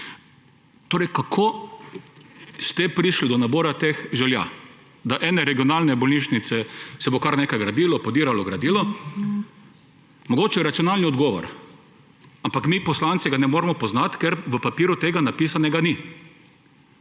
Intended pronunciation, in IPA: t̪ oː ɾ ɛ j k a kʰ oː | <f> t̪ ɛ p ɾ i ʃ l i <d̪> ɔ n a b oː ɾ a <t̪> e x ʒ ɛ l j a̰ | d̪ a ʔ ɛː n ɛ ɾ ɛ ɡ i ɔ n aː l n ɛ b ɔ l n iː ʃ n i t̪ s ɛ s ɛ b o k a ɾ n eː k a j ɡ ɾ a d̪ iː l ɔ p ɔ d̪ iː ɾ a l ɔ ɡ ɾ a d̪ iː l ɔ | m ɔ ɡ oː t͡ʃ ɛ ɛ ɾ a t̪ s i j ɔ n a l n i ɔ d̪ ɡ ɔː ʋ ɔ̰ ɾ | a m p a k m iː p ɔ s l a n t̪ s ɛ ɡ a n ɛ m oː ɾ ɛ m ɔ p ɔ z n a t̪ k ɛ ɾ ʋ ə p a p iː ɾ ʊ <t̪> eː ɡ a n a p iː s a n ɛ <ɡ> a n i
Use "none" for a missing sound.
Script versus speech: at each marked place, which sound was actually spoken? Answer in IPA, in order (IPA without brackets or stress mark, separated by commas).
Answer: s, d̪, t̪, t̪, ɡ